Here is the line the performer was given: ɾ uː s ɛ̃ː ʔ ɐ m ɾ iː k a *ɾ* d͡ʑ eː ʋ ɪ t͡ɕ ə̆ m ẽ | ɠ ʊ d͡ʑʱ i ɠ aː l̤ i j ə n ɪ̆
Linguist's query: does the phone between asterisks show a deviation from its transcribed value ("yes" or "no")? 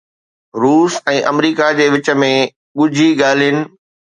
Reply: yes